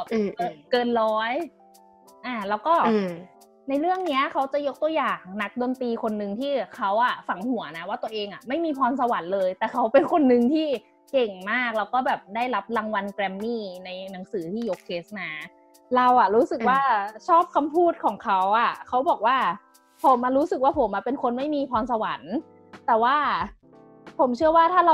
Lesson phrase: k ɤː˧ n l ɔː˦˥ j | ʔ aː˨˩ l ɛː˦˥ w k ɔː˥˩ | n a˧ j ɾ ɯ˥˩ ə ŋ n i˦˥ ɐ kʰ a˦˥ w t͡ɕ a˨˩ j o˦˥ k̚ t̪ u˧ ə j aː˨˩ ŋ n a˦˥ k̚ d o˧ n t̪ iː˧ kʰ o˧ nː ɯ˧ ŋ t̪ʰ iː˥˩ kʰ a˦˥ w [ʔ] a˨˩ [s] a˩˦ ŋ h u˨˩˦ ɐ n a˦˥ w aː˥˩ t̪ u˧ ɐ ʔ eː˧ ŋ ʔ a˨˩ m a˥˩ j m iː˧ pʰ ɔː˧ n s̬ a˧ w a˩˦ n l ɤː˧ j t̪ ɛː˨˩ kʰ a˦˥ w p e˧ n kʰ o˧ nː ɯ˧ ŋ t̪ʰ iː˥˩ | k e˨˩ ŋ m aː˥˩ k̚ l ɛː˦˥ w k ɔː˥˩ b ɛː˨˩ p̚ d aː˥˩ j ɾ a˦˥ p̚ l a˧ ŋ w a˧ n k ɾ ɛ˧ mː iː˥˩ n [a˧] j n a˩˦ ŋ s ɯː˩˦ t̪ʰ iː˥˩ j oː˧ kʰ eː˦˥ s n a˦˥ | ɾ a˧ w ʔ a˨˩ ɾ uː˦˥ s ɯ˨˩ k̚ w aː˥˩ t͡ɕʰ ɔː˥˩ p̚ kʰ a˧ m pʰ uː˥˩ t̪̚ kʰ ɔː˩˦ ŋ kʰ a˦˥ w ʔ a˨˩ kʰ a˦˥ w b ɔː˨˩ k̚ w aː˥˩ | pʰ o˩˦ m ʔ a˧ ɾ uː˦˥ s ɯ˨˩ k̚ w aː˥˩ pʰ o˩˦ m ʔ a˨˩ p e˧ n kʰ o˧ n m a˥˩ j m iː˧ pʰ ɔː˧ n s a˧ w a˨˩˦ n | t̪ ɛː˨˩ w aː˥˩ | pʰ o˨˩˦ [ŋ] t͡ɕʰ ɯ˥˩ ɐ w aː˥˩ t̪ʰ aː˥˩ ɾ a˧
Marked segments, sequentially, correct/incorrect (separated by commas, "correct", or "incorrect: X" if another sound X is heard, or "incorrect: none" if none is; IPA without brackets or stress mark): correct, incorrect: f, correct, incorrect: m